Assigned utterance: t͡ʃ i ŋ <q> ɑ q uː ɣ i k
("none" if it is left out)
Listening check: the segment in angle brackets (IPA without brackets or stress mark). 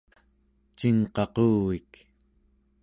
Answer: q